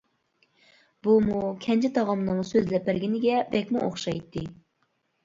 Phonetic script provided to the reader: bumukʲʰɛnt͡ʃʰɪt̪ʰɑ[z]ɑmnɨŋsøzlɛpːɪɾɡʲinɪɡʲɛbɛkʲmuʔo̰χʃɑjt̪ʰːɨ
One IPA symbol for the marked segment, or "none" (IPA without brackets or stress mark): ʁ